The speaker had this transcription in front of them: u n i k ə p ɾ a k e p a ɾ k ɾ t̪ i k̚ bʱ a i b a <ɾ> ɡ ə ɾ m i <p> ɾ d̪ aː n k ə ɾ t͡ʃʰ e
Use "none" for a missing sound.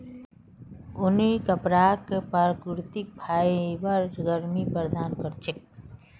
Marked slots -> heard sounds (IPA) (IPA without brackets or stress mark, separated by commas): ɾ, p